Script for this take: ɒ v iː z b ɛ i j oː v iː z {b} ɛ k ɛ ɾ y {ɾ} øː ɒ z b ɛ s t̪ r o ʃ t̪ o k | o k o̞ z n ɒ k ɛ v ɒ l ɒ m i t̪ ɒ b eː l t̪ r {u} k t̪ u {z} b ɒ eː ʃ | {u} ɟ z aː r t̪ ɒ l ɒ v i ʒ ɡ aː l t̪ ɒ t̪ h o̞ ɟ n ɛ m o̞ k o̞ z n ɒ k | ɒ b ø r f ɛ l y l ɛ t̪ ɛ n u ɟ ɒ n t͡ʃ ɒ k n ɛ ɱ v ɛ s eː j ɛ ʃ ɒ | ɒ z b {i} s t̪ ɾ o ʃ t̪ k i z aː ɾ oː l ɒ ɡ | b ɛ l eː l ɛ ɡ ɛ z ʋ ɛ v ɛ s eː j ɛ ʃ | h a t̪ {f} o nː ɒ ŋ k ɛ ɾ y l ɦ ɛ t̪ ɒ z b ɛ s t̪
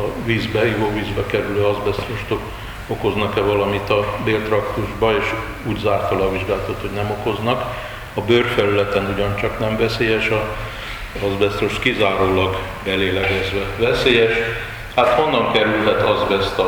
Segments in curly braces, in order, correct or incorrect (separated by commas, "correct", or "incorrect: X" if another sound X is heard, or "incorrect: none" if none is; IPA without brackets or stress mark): correct, incorrect: l, incorrect: ɒ, incorrect: ʒ, incorrect: uː, incorrect: ɛ, incorrect: h